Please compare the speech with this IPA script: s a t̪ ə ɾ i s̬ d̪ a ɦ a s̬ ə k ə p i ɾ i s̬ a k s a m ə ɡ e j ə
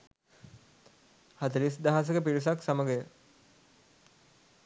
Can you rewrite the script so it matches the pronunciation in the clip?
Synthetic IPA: h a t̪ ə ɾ i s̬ d̪ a ɦ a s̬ ə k ə p i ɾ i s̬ a k s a m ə ɡ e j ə